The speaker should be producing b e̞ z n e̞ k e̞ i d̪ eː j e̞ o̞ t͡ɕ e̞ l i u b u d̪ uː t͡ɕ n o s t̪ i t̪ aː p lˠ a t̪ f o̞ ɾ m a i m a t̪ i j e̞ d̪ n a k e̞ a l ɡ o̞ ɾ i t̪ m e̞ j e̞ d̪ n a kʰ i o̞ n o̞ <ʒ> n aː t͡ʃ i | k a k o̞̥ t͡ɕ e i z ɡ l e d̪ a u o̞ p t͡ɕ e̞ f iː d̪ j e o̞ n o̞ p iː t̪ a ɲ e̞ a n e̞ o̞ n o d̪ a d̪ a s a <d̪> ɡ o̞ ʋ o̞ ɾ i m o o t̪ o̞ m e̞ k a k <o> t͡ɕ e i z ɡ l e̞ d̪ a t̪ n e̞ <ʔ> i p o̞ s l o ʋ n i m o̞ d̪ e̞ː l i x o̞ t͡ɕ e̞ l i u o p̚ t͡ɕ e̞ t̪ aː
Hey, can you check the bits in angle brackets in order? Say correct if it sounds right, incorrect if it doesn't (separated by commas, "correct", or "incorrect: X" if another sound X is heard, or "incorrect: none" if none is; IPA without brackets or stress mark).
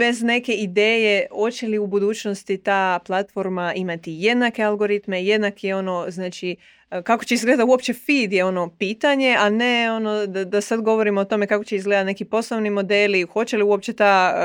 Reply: incorrect: z, correct, correct, incorrect: k